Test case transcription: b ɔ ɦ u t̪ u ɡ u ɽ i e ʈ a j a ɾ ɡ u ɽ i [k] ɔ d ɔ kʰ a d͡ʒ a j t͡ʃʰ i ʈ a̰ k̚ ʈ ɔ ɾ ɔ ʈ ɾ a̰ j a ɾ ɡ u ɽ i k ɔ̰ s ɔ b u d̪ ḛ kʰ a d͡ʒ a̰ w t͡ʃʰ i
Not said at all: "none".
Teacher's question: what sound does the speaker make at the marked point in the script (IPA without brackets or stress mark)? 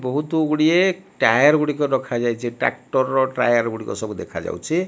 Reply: k